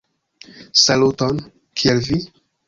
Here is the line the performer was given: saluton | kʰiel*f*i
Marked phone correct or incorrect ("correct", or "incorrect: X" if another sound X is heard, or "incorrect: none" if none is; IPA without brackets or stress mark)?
incorrect: v